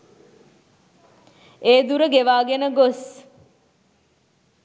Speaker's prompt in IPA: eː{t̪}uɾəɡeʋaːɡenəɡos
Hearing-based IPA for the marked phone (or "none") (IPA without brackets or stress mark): d̪